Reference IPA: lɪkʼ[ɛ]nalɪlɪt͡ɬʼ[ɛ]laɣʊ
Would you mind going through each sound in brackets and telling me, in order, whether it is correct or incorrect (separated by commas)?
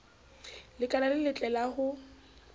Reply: incorrect, correct